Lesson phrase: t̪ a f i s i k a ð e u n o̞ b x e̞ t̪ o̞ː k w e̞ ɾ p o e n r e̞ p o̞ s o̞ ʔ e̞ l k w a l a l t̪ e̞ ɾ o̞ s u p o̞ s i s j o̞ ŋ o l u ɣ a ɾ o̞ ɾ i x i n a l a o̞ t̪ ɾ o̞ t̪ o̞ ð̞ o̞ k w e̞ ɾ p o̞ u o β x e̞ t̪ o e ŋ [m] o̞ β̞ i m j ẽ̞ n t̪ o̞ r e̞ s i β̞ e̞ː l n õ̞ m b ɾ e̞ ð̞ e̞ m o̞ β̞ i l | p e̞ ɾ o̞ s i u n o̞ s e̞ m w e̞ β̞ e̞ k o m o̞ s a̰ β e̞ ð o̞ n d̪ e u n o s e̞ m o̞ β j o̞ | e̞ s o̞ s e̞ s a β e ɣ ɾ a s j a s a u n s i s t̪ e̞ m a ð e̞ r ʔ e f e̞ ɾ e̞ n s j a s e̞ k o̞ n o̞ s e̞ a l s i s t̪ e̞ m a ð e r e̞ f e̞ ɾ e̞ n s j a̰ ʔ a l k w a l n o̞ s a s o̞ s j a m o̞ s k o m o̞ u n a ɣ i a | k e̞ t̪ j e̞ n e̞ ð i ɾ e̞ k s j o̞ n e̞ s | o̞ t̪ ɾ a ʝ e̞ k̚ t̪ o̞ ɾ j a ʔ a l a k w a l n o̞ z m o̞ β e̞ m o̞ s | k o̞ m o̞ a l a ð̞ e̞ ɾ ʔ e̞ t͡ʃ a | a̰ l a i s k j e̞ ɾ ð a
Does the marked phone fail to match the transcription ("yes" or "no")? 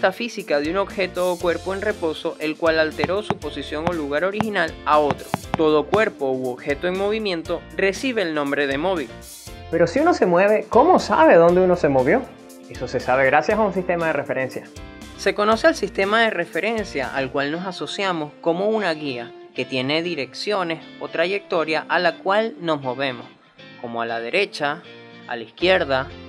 no